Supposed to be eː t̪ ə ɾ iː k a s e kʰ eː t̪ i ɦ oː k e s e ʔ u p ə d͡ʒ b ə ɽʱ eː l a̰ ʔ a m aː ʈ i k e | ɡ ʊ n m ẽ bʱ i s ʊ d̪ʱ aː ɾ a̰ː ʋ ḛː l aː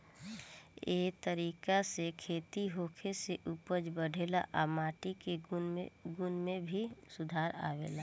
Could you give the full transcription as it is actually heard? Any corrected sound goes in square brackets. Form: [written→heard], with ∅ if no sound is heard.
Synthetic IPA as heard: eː t̪ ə ɾ iː k a s e kʰ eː t̪ i ɦ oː [k→kʰ] e s e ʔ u p ə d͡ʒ b ə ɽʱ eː l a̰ ʔ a m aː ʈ i k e | ɡ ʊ n m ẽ bʱ i s ʊ d̪ʱ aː ɾ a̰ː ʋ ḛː l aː